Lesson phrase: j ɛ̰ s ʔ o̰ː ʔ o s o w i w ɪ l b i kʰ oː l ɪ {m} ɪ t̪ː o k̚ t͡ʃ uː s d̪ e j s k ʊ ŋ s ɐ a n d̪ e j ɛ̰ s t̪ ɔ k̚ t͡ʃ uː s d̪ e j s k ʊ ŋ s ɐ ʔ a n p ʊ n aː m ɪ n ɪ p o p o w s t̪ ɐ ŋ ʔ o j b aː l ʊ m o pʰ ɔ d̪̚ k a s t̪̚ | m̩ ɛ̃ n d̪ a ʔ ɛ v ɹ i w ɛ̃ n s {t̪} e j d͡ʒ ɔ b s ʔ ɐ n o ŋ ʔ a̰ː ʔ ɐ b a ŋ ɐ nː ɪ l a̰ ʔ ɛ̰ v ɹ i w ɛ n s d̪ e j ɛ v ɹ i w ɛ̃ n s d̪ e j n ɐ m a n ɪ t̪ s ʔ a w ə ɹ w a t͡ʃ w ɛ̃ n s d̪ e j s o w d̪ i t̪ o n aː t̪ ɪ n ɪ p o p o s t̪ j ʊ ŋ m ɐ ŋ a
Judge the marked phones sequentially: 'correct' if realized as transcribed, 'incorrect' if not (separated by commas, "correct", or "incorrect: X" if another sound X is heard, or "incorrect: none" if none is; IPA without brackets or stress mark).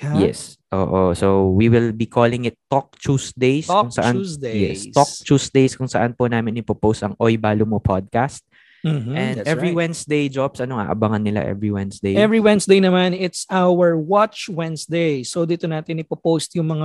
incorrect: ŋ, incorrect: d̪